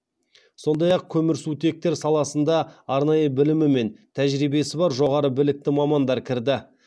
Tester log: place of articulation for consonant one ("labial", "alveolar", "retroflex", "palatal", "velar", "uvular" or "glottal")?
alveolar